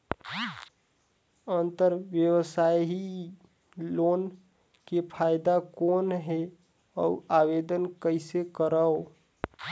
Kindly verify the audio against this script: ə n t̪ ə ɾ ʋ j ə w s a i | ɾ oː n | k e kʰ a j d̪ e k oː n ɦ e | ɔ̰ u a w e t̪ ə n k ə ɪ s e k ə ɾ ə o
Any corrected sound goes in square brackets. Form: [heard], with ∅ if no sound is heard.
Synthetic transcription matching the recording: ə n t̪ ə ɾ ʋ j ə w s a i | [l] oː n | k e [pʰ] a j d̪ [a] k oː n ɦ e | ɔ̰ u a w e [d̪] ə n k ə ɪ s e k ə ɾ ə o